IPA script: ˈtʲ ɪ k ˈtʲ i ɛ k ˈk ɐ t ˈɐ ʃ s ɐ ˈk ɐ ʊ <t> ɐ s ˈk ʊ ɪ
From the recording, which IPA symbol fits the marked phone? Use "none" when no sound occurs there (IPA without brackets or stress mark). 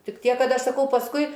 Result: p